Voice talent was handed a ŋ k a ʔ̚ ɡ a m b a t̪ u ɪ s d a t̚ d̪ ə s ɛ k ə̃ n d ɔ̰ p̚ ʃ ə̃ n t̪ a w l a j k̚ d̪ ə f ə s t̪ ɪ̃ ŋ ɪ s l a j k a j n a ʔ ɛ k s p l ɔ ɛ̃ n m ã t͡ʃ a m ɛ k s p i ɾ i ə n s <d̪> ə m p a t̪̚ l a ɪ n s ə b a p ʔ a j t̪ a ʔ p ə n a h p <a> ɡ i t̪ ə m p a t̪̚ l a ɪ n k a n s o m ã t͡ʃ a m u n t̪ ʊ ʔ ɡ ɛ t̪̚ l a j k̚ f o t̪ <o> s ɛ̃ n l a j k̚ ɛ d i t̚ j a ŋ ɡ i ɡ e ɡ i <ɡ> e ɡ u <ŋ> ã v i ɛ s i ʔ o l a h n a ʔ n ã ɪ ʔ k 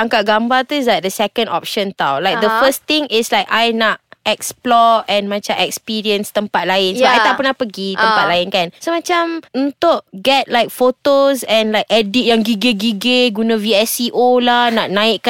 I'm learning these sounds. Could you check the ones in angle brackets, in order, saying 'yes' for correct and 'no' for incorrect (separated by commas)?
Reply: no, no, yes, yes, no